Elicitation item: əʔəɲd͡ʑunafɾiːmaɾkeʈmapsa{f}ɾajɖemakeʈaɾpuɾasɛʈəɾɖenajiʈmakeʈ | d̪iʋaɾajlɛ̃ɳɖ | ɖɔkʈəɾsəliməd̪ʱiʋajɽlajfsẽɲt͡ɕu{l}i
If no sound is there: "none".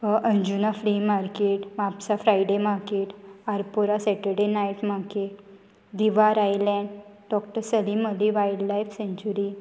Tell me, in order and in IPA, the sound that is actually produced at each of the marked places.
f, ɾ

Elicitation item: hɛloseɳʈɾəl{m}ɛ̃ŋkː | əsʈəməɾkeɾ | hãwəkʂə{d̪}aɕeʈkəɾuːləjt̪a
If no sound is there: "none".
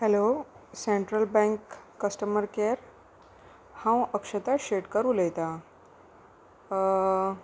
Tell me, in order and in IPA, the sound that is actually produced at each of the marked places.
b, t̪

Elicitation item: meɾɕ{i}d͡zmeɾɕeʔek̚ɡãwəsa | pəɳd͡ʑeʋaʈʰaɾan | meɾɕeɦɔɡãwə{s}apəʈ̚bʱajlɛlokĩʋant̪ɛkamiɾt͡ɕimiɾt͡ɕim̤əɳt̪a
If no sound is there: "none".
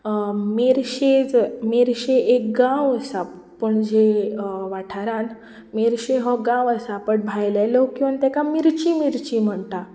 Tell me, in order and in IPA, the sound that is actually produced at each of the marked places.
e, s

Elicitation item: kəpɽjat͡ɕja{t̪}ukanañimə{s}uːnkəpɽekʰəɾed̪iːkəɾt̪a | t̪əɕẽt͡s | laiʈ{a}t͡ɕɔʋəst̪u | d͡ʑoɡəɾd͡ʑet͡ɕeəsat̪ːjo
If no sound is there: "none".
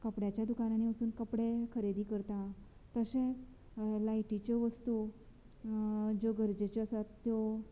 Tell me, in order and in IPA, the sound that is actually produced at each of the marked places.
d̪, s, i

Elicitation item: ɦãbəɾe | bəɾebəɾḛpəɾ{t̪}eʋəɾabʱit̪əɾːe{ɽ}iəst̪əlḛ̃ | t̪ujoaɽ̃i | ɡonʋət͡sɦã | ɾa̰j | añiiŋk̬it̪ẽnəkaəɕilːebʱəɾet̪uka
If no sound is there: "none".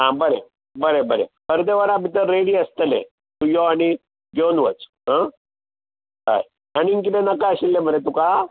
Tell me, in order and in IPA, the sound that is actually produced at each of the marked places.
d̪, ɽ

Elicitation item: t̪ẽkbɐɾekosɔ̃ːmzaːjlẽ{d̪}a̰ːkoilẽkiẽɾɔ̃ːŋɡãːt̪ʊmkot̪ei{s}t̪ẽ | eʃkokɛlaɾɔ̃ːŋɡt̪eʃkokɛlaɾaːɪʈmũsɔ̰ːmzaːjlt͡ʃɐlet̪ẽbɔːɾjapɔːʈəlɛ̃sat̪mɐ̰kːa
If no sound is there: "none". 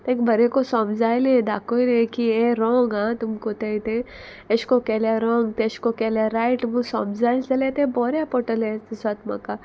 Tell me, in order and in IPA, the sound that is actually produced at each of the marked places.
d̪, none

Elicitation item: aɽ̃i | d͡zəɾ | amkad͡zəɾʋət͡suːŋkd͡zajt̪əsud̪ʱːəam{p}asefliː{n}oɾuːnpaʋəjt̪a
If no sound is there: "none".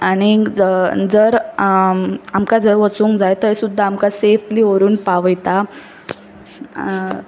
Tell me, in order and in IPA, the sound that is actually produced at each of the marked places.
k, none

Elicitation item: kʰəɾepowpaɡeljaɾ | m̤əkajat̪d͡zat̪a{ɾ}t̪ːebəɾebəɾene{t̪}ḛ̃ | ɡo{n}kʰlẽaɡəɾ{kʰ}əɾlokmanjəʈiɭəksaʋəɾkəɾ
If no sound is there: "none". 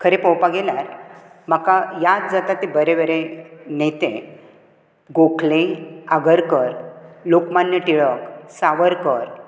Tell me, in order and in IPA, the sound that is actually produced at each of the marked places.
none, t̪, none, k

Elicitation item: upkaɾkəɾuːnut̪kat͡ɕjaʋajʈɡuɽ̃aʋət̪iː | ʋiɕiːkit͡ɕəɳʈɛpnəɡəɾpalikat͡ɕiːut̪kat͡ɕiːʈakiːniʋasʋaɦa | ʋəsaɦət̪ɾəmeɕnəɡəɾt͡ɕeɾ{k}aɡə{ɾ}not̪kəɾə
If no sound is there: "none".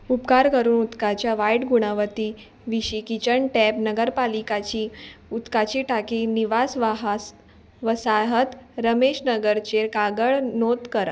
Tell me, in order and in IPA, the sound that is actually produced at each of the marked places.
k, ɭ

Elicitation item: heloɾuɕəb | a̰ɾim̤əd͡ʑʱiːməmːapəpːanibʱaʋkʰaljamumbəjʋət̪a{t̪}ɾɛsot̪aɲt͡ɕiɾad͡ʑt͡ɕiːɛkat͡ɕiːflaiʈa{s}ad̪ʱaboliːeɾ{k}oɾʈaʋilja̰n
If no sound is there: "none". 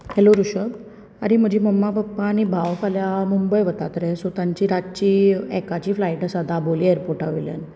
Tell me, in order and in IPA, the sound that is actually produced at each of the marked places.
t̪, s, p

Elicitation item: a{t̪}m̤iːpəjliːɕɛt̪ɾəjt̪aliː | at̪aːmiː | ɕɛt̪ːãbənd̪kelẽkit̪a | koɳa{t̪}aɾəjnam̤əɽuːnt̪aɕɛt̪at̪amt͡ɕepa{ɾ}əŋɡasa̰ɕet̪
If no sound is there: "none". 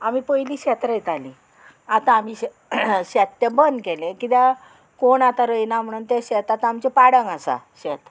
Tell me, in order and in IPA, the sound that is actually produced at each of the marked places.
none, t̪, ɽ

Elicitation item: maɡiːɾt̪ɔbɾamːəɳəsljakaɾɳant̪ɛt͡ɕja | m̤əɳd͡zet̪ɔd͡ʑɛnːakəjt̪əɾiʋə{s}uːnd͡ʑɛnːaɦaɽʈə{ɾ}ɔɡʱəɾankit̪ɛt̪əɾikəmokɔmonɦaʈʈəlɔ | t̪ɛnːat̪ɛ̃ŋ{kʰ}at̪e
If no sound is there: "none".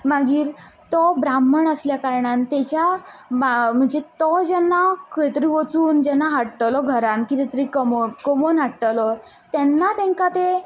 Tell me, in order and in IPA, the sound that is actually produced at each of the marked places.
t͡s, l, k

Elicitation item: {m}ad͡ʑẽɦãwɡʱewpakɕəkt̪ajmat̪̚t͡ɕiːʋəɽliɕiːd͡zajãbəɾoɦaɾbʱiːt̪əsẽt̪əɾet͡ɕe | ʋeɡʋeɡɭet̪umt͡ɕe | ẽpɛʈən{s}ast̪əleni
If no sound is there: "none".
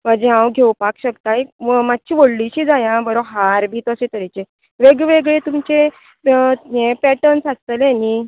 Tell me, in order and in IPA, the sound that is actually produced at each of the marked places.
m, s

